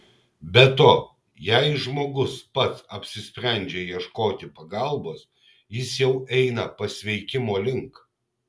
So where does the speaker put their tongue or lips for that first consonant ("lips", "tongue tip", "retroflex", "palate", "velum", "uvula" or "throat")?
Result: lips